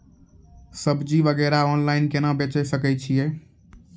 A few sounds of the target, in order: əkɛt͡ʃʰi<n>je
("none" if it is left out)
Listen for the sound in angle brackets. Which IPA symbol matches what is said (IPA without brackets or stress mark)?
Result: none